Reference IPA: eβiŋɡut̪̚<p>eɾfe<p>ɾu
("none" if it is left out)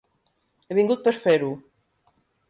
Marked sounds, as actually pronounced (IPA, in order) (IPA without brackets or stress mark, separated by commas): p, none